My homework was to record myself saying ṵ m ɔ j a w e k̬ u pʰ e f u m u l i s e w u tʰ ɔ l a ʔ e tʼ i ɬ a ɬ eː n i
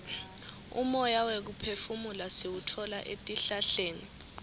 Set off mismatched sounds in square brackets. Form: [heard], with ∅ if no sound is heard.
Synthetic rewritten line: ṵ m ɔ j a w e k̬ u pʰ e f u m u l [a] s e w u tʰ ɔ l a ʔ e tʼ i ɬ a ɬ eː n i